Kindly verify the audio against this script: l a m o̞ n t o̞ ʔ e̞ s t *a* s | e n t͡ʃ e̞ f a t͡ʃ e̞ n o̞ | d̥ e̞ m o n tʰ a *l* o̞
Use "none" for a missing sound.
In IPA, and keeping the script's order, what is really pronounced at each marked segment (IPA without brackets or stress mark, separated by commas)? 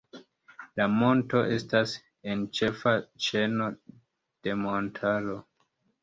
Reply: a, l